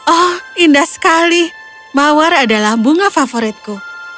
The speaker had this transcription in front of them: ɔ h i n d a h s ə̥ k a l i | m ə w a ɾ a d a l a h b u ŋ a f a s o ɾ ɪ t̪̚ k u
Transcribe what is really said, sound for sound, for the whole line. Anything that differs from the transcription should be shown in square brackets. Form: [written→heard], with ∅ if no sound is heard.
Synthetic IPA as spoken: ɔ h i n d a h s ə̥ k a l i | m [ə→a] w a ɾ a d a l a h b u ŋ a f a [s→f] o ɾ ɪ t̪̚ k u